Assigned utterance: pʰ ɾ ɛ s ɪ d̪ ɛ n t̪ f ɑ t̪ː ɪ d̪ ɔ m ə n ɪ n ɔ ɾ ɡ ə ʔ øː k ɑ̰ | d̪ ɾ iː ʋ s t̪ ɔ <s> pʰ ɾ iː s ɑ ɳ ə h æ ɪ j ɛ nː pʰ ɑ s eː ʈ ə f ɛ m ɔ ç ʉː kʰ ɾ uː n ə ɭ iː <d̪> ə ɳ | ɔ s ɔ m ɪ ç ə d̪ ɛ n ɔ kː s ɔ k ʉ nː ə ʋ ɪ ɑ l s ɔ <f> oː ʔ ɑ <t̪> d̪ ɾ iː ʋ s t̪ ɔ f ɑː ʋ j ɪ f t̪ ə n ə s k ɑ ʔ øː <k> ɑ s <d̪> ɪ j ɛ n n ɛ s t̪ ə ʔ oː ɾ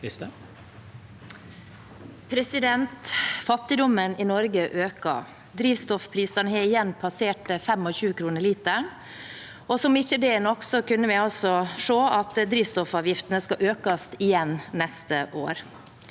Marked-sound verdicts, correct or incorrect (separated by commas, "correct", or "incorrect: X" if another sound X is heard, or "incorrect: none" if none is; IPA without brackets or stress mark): incorrect: f, incorrect: t̪, incorrect: ʂ, correct, correct, incorrect: t̪